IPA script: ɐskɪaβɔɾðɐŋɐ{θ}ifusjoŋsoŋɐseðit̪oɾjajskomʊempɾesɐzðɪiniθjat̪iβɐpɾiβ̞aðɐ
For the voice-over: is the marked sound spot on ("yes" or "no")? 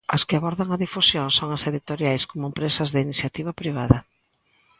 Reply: no